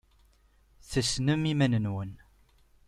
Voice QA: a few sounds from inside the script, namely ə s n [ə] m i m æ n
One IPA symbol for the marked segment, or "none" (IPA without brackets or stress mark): ə